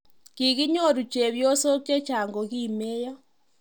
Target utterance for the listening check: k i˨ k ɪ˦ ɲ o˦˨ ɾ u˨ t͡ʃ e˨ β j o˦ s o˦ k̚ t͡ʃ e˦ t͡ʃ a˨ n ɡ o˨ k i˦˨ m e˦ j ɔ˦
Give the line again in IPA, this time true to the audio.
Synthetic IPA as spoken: k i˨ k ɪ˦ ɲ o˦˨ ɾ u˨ t͡ʃ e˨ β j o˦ s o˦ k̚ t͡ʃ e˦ t͡ʃ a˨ ŋ ɡ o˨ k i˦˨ m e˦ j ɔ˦